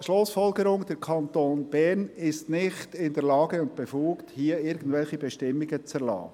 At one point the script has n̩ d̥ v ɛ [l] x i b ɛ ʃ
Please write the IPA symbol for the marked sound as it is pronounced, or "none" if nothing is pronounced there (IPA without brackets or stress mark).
l